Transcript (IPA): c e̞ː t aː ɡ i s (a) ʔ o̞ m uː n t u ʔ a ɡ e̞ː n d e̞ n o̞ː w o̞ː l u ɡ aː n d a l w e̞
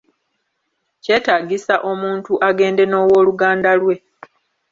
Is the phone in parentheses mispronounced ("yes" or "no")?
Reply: no